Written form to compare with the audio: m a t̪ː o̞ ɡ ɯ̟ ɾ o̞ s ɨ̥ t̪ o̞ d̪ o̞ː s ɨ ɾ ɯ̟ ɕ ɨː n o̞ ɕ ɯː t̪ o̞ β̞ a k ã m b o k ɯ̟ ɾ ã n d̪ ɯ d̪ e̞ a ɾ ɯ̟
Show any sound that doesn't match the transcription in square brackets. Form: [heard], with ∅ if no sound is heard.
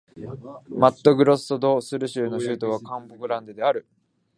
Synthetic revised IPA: m a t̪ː o̞ ɡ ɯ̟ ɾ o̞ s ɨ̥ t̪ o̞ d̪ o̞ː s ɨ ɾ ɯ̟ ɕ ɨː n o̞ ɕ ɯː t̪ o̞ β̞ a k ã m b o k ɯ̟ ɾ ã n d̪ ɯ d̪ e̞ a ɾ ɯ̟